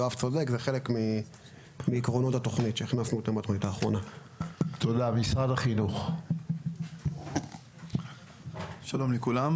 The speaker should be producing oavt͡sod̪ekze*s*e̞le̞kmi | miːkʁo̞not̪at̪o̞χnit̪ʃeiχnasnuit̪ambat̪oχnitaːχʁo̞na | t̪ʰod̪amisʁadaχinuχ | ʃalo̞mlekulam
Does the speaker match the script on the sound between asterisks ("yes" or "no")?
no